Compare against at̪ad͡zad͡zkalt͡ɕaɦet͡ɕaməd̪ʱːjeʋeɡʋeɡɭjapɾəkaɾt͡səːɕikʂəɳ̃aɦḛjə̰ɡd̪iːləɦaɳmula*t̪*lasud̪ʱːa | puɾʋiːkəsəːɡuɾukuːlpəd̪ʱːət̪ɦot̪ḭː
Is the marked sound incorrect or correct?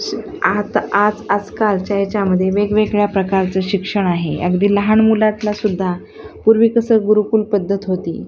correct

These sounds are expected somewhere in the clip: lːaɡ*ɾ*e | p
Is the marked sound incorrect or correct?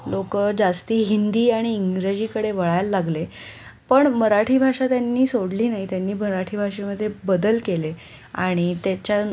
incorrect: l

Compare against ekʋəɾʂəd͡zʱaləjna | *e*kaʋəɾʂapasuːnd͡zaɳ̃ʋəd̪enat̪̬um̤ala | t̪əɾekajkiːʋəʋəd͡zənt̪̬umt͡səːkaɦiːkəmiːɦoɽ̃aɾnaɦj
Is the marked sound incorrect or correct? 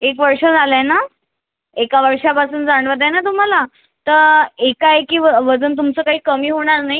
correct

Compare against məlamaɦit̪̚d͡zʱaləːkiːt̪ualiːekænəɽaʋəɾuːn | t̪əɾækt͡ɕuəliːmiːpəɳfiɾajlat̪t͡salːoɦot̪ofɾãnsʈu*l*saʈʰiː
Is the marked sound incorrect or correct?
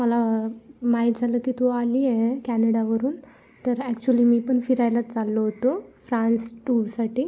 incorrect: ɾ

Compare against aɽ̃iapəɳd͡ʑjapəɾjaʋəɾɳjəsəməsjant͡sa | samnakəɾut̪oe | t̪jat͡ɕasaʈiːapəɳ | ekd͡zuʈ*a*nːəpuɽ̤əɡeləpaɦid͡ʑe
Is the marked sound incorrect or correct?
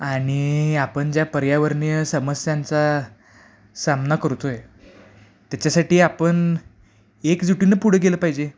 incorrect: i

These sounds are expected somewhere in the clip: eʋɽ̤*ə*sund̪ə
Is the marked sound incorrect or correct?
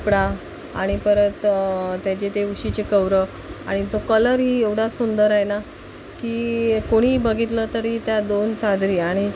incorrect: a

